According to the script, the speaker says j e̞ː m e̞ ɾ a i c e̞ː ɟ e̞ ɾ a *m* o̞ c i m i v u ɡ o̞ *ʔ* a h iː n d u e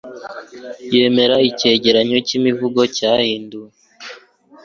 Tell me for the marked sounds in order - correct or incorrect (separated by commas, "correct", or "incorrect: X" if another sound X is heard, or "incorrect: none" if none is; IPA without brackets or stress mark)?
incorrect: ɲ, incorrect: c